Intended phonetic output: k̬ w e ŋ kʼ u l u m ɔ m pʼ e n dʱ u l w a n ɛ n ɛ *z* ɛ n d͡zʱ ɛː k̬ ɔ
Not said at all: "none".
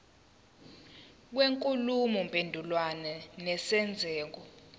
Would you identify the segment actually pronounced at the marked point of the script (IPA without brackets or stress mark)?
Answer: s